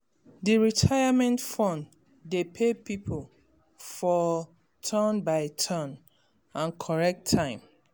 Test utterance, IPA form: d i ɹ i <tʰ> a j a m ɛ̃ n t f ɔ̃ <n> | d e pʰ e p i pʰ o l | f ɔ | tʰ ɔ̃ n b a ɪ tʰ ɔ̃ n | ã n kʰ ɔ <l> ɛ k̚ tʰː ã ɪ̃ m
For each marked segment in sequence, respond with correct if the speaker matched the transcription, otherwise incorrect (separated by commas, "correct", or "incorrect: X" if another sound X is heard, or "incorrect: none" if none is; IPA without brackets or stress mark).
correct, correct, incorrect: ɹ